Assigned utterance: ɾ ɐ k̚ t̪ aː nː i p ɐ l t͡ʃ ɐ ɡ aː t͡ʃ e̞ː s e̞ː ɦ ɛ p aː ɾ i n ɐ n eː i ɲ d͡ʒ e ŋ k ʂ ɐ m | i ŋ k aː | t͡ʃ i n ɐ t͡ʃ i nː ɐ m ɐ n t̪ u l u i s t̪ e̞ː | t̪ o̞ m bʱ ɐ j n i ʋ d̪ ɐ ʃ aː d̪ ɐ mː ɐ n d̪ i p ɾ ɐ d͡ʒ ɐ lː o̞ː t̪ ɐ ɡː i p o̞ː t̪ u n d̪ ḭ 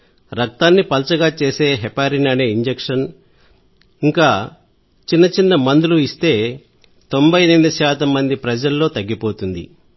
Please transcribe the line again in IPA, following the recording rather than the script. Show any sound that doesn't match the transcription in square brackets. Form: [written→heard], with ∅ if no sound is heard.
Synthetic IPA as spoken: ɾ ɐ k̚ t̪ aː nː i p ɐ l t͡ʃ ɐ ɡ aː t͡ʃ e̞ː s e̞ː ɦ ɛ p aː ɾ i n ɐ n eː i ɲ d͡ʒ e [ŋ→∅] k ʂ ɐ [m→n] | i ŋ k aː | t͡ʃ i [n→nː] ɐ t͡ʃ i nː ɐ m ɐ n [t̪→d̪] u l u i s t̪ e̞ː | t̪ o̞ m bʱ ɐ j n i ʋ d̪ ɐ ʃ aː [d̪→t̪] ɐ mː ɐ n d̪ i p ɾ ɐ d͡ʒ ɐ lː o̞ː t̪ ɐ ɡː i p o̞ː t̪ u n d̪ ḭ